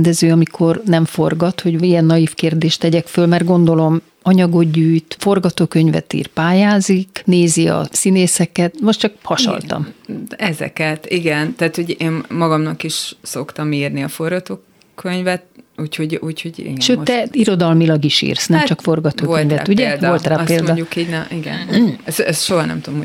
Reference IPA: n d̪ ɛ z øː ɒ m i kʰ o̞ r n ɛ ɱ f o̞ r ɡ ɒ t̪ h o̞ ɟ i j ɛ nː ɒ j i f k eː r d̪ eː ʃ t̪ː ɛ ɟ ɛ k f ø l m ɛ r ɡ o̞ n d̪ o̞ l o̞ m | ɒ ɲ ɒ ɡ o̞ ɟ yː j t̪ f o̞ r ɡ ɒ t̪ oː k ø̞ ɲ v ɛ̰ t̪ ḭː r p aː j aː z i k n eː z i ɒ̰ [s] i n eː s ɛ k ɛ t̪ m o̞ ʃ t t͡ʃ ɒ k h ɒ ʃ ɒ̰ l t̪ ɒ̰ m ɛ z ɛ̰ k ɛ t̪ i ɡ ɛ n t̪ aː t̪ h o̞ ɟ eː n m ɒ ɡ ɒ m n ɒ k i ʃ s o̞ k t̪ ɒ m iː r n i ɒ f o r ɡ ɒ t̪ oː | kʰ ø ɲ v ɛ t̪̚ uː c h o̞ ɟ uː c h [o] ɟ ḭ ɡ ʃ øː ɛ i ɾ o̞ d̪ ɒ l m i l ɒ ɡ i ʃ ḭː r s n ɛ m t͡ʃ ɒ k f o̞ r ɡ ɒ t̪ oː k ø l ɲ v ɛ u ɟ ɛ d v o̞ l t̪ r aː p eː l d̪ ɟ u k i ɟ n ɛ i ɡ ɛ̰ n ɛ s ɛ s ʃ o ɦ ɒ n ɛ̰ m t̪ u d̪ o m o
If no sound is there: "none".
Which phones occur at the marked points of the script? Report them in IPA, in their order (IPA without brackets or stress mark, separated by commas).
s, o